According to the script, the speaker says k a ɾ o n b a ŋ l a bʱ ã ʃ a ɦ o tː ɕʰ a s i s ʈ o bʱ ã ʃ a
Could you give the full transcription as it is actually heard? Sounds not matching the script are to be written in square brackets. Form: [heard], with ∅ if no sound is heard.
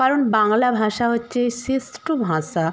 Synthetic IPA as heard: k a ɾ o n b a ŋ l a bʱ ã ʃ a ɦ o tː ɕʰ [e] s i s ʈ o bʱ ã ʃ a